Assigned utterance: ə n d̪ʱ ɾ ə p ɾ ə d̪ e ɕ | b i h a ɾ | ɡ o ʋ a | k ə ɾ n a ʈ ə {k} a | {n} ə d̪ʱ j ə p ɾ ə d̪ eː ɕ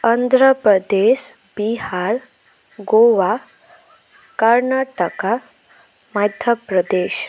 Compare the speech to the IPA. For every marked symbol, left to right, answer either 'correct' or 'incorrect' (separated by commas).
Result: correct, incorrect